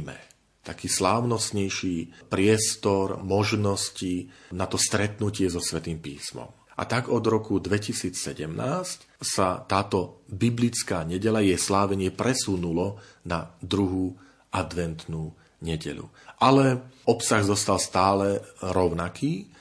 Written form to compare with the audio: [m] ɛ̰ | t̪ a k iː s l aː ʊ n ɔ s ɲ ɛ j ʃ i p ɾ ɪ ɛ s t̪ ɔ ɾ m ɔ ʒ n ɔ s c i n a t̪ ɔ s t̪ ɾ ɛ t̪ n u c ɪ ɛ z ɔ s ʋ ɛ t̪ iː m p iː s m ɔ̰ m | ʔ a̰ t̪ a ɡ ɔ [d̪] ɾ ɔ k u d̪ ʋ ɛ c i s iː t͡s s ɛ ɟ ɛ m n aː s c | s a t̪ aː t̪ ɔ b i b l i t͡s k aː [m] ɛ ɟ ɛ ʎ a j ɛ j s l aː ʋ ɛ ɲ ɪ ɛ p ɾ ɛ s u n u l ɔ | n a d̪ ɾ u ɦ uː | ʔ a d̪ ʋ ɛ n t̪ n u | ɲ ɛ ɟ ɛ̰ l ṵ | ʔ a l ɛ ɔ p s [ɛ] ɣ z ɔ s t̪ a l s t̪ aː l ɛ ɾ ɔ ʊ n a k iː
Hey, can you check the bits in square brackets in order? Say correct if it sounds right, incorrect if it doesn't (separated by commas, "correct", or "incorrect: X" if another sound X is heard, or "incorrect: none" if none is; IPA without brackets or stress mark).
correct, correct, incorrect: ɲ, incorrect: a